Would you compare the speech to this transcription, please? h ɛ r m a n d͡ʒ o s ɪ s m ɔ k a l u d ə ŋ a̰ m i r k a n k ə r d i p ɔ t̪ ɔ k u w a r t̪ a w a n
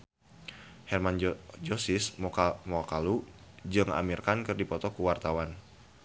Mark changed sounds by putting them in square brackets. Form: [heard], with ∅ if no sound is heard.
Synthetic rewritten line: h ɛ r m a n d͡ʒ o s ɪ s m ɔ k a l u [d͡ʒ] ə ŋ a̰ m i r k a n k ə r d i p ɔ t̪ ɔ k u w a r t̪ a w a n